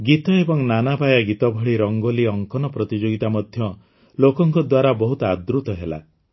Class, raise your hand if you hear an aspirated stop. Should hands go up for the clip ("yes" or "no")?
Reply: no